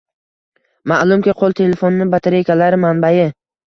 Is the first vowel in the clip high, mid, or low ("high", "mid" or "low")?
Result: low